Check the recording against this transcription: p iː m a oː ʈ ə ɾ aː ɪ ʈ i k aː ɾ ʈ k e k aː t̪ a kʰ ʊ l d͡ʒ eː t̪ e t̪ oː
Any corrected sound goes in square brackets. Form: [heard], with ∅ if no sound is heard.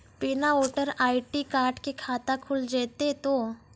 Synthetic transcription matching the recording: p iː [n] a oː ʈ ə ɾ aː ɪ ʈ i k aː ɾ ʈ k e [kʰ] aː t̪ a kʰ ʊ l d͡ʒ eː t̪ e t̪ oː